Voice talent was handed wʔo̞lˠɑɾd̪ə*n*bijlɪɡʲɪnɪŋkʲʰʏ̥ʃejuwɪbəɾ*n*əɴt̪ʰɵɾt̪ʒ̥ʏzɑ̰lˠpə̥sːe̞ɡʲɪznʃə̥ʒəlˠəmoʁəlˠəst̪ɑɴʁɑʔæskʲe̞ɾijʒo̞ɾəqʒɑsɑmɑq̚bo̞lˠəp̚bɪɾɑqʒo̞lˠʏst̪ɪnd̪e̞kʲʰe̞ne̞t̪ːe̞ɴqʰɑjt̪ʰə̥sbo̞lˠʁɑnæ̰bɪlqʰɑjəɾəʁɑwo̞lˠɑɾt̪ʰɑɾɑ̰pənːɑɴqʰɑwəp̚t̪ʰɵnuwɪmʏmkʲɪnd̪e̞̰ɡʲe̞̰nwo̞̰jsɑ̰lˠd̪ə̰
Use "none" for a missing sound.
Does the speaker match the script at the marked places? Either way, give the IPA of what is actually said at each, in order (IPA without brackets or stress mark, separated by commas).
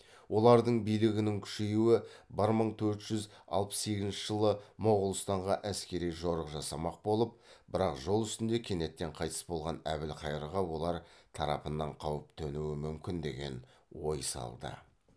ɴ, m